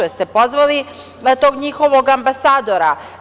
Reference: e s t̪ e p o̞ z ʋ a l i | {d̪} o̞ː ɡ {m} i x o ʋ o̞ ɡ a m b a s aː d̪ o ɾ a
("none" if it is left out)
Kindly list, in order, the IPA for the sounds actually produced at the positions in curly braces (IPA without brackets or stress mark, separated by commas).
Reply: t̪, ɲ